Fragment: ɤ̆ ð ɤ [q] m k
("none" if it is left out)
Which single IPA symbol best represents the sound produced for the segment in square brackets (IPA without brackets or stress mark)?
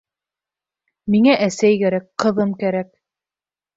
none